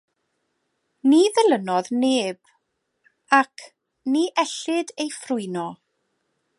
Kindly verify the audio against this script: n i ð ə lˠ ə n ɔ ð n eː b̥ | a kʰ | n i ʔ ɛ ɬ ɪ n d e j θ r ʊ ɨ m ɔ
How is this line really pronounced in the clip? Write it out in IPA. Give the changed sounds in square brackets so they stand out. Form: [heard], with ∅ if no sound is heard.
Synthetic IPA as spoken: n i ð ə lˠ ə n ɔ ð n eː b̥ | a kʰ | n i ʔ ɛ ɬ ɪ [∅] d e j [f] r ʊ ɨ [n] ɔ